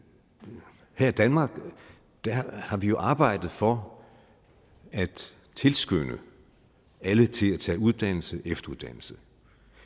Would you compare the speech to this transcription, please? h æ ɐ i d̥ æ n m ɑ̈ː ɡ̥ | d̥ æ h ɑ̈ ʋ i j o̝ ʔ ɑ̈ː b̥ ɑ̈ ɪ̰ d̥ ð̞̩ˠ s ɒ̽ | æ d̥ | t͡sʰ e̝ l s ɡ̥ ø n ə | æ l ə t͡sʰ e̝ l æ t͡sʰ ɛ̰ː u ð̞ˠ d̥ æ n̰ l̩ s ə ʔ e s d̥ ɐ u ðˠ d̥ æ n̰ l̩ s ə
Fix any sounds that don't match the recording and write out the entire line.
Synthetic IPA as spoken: h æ ɐ i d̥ æ n m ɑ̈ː ɡ̥ | d̥ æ h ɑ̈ ʋ i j o̝ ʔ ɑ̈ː b̥ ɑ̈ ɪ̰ d̥ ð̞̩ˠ f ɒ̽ | æ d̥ | t͡sʰ e̝ l s ɡ̥ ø n ə | æ l ə t͡sʰ e̝ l æ t͡sʰ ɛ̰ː u ð̞ˠ d̥ æ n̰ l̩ s ə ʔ e f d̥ ɐ u ðˠ d̥ æ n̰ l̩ s ə

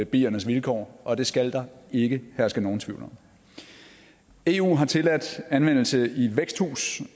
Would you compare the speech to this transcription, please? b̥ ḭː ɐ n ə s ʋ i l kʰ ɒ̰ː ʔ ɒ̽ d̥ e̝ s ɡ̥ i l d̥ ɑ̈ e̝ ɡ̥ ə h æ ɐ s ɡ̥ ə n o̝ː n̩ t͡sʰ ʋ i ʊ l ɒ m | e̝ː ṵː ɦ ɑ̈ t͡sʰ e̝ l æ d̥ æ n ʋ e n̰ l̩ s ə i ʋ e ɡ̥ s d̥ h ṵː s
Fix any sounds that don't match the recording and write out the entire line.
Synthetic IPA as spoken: b̥ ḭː ɐ n ə s ʋ i l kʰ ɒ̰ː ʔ ɒ̽ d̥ e̝ s ɡ̥ æ l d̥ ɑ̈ e̝ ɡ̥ ə h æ ɐ s ɡ̥ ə n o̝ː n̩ t͡sʰ ʋ i ʊ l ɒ m | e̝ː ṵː ɦ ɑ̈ t͡sʰ e̝ l æ d̥ æ n ʋ e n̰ l̩ s ə i ʋ e ɡ̥ s d̥ h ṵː s

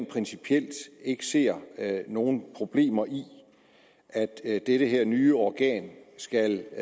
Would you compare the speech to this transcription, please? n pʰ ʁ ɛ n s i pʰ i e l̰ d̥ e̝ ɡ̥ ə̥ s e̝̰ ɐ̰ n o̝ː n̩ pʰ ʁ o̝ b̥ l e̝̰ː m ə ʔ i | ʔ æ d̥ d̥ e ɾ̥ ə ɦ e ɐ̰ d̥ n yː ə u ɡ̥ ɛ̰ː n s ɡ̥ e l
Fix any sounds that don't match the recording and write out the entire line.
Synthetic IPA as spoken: n pʰ ʁ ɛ n s i pʰ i e l̰ d̥ e̝ ɡ̥ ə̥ s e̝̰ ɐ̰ n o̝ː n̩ pʰ ʁ o̝ b̥ l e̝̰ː m ɐ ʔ i | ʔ æ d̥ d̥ e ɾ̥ ə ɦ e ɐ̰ n yː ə ɒ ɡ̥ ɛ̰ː n s ɡ̥ æ l

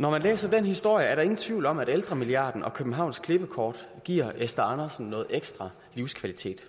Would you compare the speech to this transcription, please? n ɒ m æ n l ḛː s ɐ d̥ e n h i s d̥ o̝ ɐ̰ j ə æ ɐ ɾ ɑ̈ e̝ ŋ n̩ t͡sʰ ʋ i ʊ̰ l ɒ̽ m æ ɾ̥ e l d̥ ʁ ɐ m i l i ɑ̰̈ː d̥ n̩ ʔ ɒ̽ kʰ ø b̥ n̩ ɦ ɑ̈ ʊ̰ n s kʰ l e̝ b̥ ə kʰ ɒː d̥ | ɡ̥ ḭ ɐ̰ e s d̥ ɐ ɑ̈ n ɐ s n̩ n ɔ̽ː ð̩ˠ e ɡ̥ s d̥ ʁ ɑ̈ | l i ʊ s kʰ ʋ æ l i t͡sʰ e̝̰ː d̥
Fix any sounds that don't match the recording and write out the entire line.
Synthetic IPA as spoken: n ɒ m æ n l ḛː s ɐ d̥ e n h i s d̥ o̝ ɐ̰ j ə æ ɐ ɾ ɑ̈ e̝ ŋ n̩ t͡sʰ ʋ i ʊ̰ l ɒ̽ m æ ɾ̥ e l d̥ ʁ ɐ m i l i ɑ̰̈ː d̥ n̩ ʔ ɒ̽ kʰ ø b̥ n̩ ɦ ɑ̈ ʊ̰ n s kʰ l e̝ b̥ ə kʰ ɒː d̥ | ɡ̥ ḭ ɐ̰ e s d̥ ɐ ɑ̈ n ɐ s n̩ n ɔ̽ː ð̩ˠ e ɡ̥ s d̥ ʁ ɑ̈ | l i ʊ s kʰ ʋ æ l i t͡sʰ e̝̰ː d̥

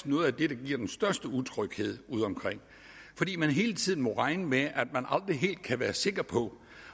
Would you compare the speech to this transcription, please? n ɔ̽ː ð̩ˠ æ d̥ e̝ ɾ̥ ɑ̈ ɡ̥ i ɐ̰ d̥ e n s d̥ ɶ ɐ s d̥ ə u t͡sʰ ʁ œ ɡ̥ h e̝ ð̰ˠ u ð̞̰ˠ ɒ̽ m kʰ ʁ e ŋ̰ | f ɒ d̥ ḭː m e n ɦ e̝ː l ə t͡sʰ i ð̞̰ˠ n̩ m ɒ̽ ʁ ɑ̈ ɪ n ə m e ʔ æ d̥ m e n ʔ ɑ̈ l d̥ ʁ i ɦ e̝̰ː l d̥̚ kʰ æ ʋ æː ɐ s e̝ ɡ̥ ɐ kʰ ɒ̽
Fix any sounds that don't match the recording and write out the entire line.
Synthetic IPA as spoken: n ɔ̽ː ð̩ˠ æ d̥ e̝ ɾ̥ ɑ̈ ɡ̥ i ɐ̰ d̥ e n s d̥ ɶ ɐ s d̥ ə u t͡sʰ ʁ œ ɡ̥ h e̝ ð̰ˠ u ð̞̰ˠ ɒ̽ m kʰ ʁ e ŋ̰ | f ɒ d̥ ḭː m æ n ɦ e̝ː l ə t͡sʰ i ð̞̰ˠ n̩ m ɒ̽ ʁ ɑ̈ ɪ n ə m e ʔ æ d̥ m æ n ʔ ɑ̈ l d̥ ʁ i ɦ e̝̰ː l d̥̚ kʰ æ ʋ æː ɐ s e̝ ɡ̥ ɐ pʰ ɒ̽

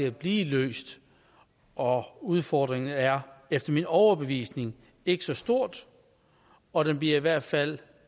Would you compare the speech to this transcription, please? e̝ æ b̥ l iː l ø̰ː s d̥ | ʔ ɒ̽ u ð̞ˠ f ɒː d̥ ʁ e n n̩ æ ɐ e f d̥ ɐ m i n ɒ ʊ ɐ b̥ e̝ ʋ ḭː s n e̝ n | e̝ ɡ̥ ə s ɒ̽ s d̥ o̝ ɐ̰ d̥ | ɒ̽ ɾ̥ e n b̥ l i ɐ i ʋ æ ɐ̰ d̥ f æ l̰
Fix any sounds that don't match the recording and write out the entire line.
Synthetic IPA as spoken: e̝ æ b̥ l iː l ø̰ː s d̥ | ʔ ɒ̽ u ð̞ˠ f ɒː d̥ ʁ e ŋ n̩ æ ɐ e f d̥ ɐ m i n ɒ ʊ ɐ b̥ e̝ ʋ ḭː s n e̝ ŋ | e̝ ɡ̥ ə s ɒ̽ s d̥ o̝ ɐ̰ d̥ | ɒ̽ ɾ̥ e n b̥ l i ɐ i ʋ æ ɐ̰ d̥ f æ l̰

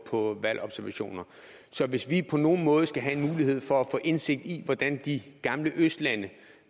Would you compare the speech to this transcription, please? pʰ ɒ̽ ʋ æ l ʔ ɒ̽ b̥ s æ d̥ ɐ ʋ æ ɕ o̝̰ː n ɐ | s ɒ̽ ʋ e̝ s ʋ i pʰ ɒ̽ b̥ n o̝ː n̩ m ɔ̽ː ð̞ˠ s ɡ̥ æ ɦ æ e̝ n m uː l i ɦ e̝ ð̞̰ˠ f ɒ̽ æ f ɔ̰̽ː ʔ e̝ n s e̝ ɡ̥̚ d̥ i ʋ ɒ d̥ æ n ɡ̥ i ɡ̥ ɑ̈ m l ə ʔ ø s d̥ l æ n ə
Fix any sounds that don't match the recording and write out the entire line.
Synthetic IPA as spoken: pʰ ɒ̽ ʋ æ l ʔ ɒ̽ b̥ s æ ɐ ʋ æ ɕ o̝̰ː n ɐ | s ɒ̽ ʋ e̝ s ʋ i pʰ ɒ̽ n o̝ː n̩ m ɔ̽ː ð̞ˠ s ɡ̥ æ ɦ æ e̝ n m uː l i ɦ e̝ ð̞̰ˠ f ɒ̽ æ f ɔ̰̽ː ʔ e̝ n s e̝ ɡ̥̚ d̥ i ʋ ɒ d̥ æ n d̥ i ɡ̥ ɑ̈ m l ə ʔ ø s d̥ l æ n ə

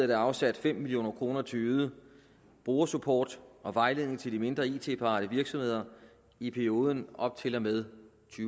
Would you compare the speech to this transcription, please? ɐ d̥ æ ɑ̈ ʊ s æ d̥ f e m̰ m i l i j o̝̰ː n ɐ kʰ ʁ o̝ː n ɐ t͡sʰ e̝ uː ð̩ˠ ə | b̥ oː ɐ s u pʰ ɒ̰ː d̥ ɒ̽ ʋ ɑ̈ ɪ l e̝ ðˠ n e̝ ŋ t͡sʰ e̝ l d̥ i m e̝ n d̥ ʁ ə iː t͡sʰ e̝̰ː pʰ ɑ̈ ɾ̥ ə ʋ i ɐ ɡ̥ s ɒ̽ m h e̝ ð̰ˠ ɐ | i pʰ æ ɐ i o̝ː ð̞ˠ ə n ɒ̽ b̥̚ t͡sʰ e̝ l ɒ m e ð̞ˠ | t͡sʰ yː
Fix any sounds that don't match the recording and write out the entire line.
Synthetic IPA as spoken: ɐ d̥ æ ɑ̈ ʊ s æ d̥ f e m̰ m i l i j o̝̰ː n ɐ kʰ ʁ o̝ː n ɐ t͡sʰ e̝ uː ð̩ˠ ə | b̥ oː ɐ s u pʰ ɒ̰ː d̥ ɒ̽ ʋ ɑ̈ ɪ l e̝ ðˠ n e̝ ŋ t͡sʰ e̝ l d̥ i m e̝ n d̥ ʁ ɐ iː t͡sʰ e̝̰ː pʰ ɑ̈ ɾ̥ ə ʋ i ɐ ɡ̥ s ɒ̽ m h e̝ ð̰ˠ ɐ | i pʰ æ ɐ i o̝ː ð̞ˠ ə n ɒ̽ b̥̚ t͡sʰ e̝ l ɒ m e ð̞ˠ | t͡sʰ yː

